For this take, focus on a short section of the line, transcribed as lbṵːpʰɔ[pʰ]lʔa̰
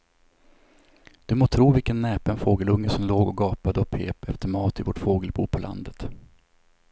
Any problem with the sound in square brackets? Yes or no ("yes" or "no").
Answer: yes